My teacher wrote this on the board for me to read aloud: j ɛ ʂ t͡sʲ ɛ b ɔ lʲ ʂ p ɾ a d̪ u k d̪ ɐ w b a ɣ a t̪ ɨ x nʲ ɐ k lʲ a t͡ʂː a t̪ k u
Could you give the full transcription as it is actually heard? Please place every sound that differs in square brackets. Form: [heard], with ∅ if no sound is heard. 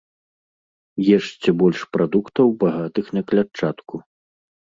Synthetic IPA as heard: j ɛ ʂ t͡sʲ ɛ b ɔ lʲ ʂ p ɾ a d̪ u k [t̪] ɐ w b a ɣ a t̪ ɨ x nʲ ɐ k lʲ a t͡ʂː a t̪ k u